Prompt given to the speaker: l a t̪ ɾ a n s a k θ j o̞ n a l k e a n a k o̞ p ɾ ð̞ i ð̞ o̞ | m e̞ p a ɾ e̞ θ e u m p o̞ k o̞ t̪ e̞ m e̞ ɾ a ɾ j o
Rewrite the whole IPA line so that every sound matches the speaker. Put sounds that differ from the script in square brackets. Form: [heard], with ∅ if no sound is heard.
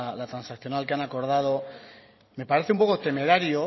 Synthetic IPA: l a t̪ ɾ a n s a k θ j o̞ n a l k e a n a k o̞ [∅] ɾ ð̞ [a] ð̞ o̞ | m e̞ p a ɾ e̞ θ e u m p o̞ k o̞ t̪ e̞ m e̞ ɾ a ɾ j o